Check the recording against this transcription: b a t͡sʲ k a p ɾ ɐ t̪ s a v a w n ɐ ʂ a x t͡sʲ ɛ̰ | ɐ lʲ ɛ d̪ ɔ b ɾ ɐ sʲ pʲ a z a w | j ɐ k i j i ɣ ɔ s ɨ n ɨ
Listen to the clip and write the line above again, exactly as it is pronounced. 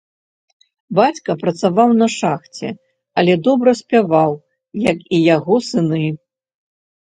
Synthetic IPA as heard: b a t͡sʲ k ɐ p ɾ ɐ t̪ s a v a w n ɐ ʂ a x t͡sʲ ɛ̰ | ɐ lʲ ɛ d̪ ɔ b ɾ ɐ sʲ pʲ a v a w | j ɐ k i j a ɣ ɔ s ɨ n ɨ